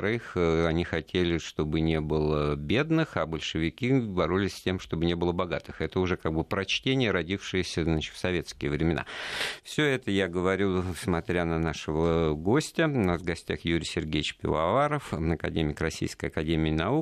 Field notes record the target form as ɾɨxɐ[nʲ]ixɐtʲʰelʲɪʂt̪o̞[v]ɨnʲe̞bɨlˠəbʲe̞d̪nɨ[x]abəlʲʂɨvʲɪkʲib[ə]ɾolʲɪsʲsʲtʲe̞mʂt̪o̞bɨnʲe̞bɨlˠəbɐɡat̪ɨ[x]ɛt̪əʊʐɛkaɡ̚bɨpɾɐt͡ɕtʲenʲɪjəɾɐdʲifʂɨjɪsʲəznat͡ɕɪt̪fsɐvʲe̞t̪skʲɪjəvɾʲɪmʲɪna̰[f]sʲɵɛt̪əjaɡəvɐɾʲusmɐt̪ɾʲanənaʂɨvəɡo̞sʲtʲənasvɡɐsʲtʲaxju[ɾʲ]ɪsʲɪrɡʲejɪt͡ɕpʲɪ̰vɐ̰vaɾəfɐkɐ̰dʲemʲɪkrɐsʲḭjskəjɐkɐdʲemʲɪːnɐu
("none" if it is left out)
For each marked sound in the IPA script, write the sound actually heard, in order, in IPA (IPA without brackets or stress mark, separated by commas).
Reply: nʲ, b, x, ɐ, x, f, ɾʲ